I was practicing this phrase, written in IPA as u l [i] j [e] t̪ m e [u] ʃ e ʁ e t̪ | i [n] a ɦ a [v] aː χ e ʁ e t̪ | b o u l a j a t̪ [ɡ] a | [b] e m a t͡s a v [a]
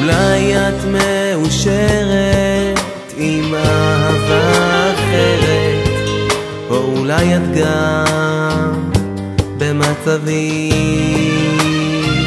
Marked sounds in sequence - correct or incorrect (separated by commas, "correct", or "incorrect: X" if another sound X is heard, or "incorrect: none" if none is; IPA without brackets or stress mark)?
incorrect: a, incorrect: a, correct, incorrect: m, correct, correct, correct, incorrect: i